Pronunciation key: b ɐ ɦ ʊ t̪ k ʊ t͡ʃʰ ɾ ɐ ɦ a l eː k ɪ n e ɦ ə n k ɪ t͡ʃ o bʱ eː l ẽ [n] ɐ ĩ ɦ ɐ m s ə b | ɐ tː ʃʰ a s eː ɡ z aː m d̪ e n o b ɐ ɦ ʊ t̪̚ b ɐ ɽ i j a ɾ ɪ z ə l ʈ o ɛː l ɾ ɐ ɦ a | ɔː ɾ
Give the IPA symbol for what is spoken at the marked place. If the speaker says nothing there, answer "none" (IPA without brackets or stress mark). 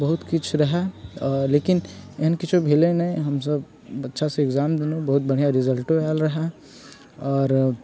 n